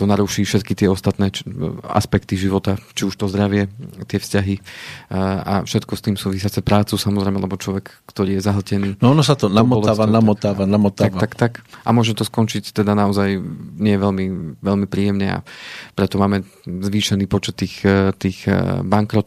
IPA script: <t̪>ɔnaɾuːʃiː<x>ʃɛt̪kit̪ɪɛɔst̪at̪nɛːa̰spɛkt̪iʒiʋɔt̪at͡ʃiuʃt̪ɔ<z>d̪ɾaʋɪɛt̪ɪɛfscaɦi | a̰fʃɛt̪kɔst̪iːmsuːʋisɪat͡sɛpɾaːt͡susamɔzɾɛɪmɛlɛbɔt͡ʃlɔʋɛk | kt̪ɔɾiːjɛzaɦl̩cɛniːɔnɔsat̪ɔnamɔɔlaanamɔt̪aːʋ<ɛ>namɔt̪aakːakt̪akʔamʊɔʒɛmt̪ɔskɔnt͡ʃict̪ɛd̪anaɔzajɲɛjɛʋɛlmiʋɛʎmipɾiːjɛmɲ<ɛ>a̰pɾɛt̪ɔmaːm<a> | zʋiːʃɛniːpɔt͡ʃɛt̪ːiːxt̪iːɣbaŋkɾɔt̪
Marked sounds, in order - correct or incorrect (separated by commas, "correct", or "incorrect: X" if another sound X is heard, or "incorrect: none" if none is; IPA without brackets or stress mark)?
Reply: correct, incorrect: f, correct, incorrect: a, correct, incorrect: ɛ